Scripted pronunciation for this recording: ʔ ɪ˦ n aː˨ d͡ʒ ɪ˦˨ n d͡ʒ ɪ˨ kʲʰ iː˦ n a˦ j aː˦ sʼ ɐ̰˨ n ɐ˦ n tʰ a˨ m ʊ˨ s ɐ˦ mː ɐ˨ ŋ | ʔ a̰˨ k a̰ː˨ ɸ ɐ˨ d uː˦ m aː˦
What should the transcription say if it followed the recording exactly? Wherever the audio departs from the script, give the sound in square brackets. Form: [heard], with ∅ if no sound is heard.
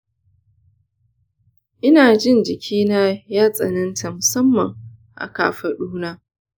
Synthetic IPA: ʔ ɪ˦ n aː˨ d͡ʒ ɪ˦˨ n d͡ʒ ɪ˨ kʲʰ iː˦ n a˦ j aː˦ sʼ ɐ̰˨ n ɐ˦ n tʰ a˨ m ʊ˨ s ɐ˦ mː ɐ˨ ŋ | ʔ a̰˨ k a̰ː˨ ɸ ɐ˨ [ɗ] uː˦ [n] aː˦